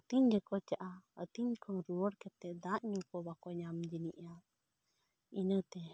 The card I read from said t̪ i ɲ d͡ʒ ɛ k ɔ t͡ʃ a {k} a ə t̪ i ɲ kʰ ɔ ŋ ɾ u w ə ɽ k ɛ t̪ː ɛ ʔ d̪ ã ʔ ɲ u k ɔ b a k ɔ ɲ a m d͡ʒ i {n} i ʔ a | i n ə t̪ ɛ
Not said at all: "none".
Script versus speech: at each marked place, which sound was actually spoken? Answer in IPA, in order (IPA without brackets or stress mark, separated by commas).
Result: ʔ, n